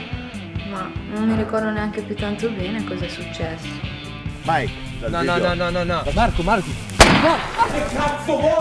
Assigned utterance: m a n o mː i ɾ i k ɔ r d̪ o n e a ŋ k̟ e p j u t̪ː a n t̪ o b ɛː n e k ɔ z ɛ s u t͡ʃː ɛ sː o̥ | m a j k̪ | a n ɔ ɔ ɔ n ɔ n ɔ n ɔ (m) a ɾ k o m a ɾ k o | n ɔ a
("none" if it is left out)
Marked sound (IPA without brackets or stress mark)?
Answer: m